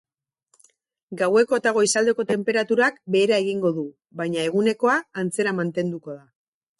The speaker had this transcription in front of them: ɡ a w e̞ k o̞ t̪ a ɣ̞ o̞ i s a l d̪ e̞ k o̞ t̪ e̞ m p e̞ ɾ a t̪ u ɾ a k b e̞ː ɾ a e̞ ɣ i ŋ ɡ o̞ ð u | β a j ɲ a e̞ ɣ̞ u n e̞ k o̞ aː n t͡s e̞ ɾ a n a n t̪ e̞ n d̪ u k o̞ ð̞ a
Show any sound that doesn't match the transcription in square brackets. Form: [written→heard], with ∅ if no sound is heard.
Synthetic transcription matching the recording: ɡ a w e̞ k o̞ t̪ a ɣ̞ o̞ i s a l d̪ e̞ k o̞ t̪ e̞ m p e̞ ɾ a t̪ u ɾ a k b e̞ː ɾ a e̞ ɣ i ŋ ɡ o̞ ð u | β a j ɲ a e̞ ɣ̞ u n e̞ k o̞ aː n t͡s e̞ ɾ a [n→m] a n t̪ e̞ n d̪ u k o̞ ð̞ a